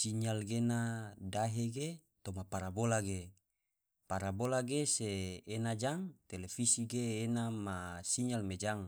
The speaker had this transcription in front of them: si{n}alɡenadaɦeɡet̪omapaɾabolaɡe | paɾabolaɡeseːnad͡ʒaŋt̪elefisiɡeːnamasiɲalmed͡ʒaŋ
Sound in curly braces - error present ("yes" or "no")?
yes